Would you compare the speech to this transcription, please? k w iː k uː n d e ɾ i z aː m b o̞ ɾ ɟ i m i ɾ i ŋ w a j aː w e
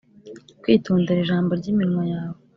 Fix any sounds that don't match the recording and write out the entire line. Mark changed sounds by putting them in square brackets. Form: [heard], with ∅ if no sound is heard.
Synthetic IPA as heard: k w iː [t] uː n d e ɾ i [ʒ] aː m b o̞ ɾ ɟ i m i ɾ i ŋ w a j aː w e